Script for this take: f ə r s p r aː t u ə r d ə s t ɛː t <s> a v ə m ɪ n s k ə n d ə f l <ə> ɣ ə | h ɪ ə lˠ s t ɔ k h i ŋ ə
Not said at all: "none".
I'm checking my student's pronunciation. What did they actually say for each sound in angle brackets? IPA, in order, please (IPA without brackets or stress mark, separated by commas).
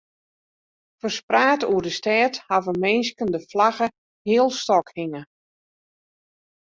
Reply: h, a